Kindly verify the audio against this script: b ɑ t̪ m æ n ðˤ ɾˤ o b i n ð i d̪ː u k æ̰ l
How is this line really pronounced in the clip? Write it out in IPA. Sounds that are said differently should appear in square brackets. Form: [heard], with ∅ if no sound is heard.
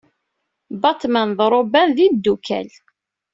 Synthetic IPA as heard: b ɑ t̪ m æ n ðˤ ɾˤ o b [æ] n ð i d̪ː u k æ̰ l